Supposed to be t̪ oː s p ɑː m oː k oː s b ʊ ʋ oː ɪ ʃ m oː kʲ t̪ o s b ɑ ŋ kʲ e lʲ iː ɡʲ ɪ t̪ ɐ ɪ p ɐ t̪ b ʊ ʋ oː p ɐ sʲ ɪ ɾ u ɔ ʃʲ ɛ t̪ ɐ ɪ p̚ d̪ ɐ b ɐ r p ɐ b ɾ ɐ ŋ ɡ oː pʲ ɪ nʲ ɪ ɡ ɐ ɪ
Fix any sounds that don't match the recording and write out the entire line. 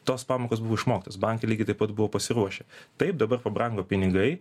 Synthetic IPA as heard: t̪ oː s p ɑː m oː k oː s b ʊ ʋ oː ɪ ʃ m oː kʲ t̪ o s b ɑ ŋ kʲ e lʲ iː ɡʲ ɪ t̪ ɐ ɪ p ɐ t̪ b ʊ ʋ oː p ɐ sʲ ɪ ɾ u ɔ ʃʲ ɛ t̪ ɐ ɪ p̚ d̪ ɐ b ɐ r p ɐ b ɾ ɐ ŋ ɡ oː pʲ ɪ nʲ ɪ ɡ ɐ ɪ